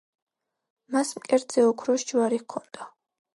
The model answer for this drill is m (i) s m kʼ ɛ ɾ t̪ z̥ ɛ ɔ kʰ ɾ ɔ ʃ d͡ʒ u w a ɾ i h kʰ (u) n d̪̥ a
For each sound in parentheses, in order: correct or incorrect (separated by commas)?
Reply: incorrect, incorrect